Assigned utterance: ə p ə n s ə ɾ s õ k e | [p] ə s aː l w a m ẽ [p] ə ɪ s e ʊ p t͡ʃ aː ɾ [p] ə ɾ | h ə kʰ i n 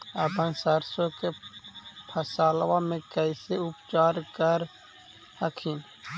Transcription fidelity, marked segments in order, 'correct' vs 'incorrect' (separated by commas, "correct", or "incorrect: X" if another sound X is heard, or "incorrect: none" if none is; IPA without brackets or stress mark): incorrect: pʰ, incorrect: k, incorrect: k